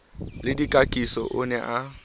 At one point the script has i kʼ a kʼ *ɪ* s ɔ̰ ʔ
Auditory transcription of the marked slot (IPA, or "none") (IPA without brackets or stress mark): i